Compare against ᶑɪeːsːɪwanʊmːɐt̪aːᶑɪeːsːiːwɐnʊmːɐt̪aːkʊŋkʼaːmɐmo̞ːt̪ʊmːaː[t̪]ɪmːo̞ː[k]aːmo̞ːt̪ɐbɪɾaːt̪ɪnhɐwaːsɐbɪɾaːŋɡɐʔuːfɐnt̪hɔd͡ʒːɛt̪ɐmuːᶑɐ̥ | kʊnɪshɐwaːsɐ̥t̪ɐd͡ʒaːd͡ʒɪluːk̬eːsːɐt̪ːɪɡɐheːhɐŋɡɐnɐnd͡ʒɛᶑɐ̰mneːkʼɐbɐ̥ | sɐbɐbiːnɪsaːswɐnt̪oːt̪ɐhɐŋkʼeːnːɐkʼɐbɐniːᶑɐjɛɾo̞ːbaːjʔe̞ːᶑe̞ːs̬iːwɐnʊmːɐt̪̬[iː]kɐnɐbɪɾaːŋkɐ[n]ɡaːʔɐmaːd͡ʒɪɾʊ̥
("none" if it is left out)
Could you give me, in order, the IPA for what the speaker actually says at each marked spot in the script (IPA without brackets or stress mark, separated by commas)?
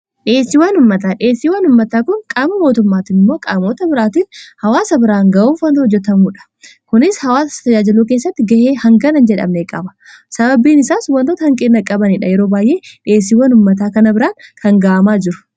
t̪, kʼ, aː, ŋ